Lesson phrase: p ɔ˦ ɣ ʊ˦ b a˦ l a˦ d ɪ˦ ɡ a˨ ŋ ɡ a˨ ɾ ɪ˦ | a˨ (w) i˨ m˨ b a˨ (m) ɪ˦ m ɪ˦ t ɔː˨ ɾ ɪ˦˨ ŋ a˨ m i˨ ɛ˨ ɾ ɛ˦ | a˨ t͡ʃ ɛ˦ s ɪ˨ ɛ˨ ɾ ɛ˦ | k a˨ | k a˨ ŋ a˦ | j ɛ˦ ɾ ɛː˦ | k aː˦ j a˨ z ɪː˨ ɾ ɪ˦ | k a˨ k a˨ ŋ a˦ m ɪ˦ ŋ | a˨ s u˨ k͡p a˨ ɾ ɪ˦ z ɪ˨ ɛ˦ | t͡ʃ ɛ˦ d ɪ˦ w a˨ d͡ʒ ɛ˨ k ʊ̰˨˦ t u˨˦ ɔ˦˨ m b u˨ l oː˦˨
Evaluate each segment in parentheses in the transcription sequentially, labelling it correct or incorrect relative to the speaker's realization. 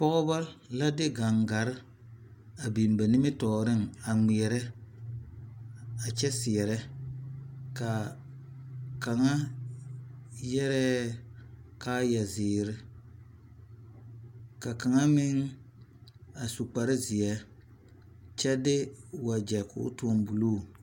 incorrect: b, incorrect: n

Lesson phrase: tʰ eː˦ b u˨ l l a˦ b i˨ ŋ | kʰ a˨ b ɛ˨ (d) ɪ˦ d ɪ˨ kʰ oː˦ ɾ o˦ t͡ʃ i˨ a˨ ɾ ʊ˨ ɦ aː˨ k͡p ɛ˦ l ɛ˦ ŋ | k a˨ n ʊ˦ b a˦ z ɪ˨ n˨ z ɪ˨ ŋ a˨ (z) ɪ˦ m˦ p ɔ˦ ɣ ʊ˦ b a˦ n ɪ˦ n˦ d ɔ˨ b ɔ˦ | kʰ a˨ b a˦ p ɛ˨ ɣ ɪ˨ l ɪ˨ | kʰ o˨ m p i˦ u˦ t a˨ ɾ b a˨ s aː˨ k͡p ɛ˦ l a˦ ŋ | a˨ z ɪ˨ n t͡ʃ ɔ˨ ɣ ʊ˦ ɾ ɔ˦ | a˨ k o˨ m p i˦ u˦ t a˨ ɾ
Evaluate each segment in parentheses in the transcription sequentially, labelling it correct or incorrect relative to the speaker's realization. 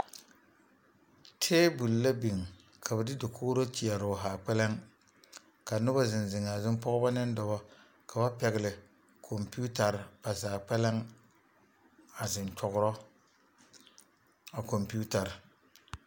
correct, correct

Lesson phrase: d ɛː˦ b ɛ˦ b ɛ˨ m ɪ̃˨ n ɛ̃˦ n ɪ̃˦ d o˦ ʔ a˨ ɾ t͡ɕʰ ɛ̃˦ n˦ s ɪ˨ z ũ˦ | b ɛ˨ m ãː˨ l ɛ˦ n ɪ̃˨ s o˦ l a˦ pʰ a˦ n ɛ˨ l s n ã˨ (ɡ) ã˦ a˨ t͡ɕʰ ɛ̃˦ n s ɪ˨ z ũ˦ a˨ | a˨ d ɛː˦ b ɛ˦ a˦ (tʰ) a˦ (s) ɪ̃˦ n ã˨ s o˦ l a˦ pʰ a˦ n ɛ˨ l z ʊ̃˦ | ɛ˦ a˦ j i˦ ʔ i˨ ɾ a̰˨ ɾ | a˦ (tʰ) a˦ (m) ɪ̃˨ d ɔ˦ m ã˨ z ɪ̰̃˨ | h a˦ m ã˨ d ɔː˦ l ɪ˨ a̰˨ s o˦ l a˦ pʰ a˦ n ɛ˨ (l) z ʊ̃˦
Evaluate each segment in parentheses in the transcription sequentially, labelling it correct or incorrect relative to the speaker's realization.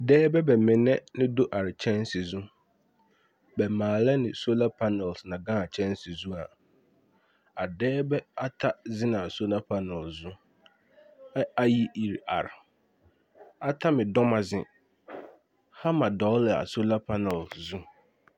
correct, correct, incorrect: z, correct, correct, correct

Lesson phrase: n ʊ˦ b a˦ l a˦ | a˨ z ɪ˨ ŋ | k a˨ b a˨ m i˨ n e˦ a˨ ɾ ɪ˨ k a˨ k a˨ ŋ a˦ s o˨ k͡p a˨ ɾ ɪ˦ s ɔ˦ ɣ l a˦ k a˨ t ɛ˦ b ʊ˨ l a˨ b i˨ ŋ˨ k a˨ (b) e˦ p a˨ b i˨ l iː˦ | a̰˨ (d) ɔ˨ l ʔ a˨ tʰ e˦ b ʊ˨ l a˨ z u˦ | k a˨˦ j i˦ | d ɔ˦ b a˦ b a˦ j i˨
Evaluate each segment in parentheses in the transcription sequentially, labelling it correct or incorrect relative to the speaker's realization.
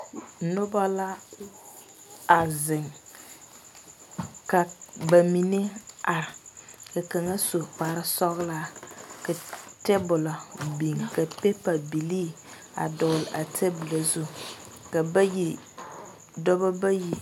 incorrect: p, correct

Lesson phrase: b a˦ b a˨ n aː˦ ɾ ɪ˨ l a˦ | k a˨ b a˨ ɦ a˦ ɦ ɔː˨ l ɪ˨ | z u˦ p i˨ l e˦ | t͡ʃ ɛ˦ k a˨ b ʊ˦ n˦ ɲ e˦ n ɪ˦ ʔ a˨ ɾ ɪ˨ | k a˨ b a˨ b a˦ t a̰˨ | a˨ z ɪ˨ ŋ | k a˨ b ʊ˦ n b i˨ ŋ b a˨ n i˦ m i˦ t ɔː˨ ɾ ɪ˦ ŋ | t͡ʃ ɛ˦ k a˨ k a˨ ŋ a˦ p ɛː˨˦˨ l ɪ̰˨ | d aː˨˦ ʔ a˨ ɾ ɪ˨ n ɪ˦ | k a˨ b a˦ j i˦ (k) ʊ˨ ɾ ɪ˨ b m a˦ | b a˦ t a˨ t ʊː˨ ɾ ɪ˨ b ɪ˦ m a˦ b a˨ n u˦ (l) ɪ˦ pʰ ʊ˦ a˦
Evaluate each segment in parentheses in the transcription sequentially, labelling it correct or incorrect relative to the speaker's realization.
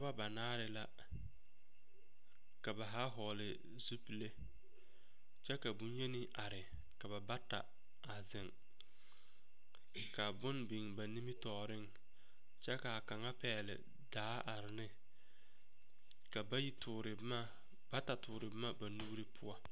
incorrect: t, incorrect: ɾ

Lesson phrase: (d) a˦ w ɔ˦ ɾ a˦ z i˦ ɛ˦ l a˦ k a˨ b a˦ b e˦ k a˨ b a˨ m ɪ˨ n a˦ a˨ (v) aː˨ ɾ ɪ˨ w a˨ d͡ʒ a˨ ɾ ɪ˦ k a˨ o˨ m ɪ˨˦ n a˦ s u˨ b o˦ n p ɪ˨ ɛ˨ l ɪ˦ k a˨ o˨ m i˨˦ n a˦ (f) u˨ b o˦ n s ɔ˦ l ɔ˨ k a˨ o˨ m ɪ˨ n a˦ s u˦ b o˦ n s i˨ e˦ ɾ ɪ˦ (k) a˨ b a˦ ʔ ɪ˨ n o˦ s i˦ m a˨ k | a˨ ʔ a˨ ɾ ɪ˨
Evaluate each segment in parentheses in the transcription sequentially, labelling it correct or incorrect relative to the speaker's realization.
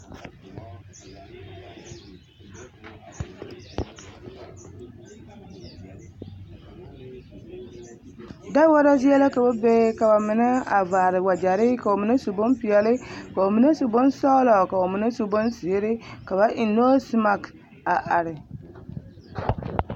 correct, correct, incorrect: s, correct

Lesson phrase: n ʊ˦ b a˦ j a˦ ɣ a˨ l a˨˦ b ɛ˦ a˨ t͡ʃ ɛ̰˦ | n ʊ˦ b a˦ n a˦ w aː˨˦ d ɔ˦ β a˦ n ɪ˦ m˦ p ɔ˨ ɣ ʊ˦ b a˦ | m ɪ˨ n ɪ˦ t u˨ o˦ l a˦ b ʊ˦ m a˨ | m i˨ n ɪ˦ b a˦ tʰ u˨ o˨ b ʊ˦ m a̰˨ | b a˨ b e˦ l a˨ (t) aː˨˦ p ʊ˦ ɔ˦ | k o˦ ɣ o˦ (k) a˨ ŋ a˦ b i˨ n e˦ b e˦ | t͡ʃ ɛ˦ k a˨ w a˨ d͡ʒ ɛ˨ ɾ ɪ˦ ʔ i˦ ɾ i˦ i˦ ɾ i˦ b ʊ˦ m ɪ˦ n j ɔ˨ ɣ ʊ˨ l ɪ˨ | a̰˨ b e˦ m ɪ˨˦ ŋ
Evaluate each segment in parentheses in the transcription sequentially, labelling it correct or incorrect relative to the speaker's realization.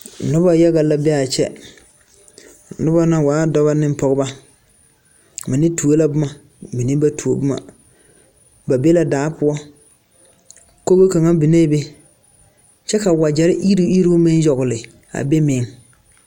incorrect: d, correct

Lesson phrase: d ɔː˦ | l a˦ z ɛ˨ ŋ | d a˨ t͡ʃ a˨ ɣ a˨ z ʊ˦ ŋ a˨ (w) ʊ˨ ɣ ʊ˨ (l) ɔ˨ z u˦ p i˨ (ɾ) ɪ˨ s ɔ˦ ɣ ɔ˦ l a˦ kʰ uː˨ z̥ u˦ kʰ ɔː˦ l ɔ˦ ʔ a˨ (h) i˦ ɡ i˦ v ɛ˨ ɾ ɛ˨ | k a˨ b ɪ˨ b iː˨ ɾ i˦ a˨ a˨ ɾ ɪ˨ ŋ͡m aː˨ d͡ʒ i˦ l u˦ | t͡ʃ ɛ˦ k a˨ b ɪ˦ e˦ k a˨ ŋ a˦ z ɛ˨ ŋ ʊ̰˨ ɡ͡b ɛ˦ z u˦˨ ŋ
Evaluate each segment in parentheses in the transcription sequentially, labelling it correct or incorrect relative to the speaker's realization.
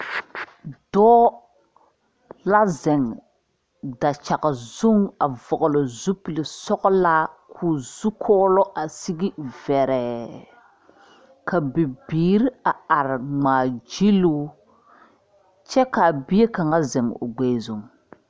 incorrect: v, correct, incorrect: l, incorrect: s

